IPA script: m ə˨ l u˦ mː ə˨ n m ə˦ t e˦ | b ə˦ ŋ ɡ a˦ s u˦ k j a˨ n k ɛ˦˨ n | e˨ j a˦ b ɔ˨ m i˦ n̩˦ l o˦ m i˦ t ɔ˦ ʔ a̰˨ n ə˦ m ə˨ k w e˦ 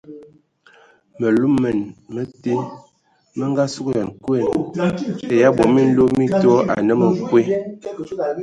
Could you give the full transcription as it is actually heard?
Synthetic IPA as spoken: m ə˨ l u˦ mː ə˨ n m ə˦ t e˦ | m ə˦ ŋ ɡ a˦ s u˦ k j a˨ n k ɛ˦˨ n | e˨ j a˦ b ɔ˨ m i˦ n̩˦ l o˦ m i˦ t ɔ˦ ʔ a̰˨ n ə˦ m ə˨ k w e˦

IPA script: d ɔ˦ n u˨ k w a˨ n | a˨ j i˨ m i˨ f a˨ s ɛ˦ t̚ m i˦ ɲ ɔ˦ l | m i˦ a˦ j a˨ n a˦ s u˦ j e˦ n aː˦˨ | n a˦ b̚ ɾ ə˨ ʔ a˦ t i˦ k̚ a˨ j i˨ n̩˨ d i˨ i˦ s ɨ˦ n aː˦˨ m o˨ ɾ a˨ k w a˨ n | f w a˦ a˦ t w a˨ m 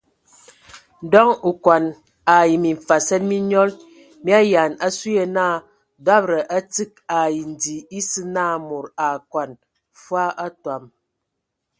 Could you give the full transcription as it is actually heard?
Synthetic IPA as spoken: d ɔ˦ ŋ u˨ k w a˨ n | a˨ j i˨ m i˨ f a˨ s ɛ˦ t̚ m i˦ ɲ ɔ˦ l | m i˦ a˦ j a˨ n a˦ s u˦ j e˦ n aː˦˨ | d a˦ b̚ ɾ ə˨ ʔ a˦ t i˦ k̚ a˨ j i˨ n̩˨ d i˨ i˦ s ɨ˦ n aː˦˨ m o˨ ɾ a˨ k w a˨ n | f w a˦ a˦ t w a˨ m

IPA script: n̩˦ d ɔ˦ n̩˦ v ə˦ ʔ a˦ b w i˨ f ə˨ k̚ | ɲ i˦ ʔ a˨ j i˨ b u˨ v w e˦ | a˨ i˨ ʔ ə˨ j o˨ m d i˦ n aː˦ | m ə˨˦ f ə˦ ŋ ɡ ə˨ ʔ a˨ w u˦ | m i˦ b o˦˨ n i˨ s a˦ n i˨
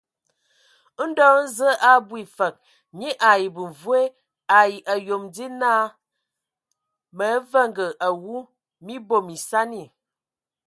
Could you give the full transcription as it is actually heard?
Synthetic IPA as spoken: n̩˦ d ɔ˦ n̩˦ z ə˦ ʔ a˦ b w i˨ f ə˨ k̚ | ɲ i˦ ʔ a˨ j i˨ b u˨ v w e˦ | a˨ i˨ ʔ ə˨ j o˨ m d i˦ n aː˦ | m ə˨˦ v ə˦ ŋ ɡ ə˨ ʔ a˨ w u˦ | m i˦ b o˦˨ m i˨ s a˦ n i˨

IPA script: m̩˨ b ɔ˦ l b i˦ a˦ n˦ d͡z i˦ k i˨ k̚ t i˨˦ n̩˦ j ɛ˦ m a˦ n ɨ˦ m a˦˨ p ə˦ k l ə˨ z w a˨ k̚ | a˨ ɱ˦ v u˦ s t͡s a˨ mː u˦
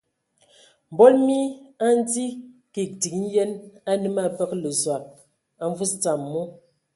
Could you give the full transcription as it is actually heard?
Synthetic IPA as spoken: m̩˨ b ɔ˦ l m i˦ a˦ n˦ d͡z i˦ k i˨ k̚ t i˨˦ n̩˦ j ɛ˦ n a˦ n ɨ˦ m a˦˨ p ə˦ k l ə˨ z w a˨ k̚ | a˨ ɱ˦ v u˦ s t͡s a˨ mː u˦

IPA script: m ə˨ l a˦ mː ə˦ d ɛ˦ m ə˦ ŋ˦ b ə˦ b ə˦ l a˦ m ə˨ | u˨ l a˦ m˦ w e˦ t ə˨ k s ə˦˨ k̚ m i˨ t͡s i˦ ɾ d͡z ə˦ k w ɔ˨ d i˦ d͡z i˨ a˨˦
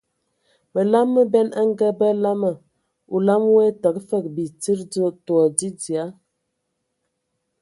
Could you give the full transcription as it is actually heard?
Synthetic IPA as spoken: m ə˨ l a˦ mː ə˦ b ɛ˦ n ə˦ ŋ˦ ɡ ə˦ b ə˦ l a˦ m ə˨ | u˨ l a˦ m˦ w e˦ t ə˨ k f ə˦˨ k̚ b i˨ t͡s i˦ ɾ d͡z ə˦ t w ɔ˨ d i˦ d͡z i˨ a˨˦

